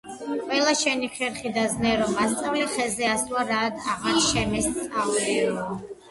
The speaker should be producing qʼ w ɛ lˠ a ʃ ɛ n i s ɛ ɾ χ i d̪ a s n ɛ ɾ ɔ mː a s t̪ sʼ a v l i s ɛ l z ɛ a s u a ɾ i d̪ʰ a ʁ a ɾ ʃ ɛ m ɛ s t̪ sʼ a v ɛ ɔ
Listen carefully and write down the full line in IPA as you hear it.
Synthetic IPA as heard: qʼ w ɛ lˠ a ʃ ɛ n i χ ɛ ɾ χ i d̪ a z n ɛ ɾ ɔ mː a s t̪ sʼ a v l i χ ɛ z ɛ a s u a ɾ a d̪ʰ a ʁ a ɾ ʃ ɛ m ɛ s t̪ sʼ a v ɛ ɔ